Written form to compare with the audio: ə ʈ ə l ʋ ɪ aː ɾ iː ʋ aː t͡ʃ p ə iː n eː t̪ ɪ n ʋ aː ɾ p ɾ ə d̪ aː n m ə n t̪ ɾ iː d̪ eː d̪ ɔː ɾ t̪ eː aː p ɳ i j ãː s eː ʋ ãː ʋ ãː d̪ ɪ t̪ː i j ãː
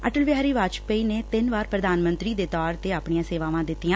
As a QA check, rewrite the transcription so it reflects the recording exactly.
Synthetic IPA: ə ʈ ə l ʋ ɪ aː ɾ iː ʋ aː t͡ʃ p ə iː n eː t̪ ɪ n ʋ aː ɾ p ɾ ə d̪ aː n m ə n t̪ ɾ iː d̪ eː t̪ ɔː ɾ t̪ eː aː p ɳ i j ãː s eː ʋ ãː ʋ ãː d̪ ɪ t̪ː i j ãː